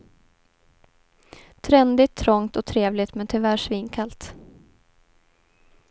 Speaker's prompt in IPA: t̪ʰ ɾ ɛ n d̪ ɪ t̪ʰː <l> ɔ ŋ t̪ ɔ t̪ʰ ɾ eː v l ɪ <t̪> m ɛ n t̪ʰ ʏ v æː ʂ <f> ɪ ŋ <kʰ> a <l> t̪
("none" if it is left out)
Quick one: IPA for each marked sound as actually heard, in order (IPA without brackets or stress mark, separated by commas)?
ɾ, t̪, v, kʰ, l